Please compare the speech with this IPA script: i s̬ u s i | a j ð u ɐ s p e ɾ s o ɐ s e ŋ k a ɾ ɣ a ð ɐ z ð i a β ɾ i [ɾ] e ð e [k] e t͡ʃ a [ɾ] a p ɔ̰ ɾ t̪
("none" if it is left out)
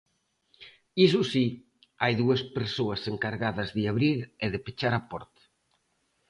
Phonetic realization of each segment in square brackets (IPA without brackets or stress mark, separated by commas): ɾ, p, ɾ